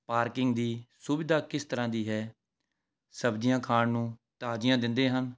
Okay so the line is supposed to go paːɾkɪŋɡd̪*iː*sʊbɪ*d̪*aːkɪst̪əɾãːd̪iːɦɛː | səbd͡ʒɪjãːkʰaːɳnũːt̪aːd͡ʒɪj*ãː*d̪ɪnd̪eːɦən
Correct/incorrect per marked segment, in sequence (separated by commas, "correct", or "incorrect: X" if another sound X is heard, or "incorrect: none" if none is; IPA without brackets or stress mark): correct, correct, correct